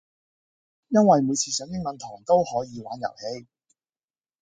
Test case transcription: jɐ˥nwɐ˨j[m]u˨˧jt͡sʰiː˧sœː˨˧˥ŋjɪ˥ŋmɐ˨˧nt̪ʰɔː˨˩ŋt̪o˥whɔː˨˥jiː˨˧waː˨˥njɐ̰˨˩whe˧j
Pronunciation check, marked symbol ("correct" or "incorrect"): correct